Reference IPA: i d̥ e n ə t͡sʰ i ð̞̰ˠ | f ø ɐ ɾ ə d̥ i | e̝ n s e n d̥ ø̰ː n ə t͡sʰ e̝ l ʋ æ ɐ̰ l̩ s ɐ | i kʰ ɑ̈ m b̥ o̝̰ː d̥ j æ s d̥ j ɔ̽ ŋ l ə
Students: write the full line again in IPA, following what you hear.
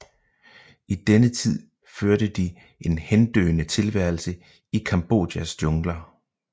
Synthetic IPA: i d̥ e n ə t͡sʰ i ð̞̰ˠ | f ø ɐ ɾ ə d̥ i | e̝ n h e n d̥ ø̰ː n ə t͡sʰ e̝ l ʋ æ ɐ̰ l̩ s ə | i kʰ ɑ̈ m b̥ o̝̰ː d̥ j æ s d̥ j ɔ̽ ŋ l ɐ